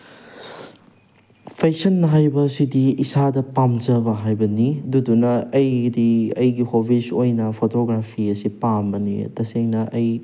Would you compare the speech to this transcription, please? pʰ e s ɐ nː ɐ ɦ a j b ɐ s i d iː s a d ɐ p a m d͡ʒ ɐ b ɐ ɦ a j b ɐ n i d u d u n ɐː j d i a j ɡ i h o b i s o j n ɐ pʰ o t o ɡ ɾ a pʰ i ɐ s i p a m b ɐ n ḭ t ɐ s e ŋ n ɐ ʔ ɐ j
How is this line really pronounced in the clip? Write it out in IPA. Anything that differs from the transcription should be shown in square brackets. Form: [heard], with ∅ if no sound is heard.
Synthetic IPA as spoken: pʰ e s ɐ nː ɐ ɦ a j b ɐ s i d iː s a d ɐ p a m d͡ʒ ɐ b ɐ ɦ a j b ɐ n i d u d u n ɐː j d i [ɐ] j ɡ i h o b i s o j n ɐ pʰ o t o ɡ ɾ a pʰ i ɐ s i p a m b ɐ n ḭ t ɐ s e ŋ n ɐ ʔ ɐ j